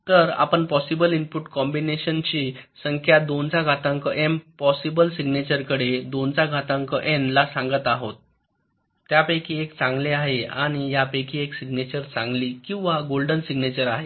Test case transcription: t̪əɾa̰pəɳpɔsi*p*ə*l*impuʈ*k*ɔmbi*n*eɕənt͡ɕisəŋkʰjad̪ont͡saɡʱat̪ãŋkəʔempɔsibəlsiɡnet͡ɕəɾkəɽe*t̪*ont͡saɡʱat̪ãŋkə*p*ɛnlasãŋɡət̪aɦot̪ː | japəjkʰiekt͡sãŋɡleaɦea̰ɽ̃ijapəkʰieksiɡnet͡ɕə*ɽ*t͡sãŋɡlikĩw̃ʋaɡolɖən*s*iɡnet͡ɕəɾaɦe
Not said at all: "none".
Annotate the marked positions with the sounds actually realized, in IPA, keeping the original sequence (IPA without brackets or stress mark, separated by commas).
b, l, k, n, d̪, ʔ, ɾ, s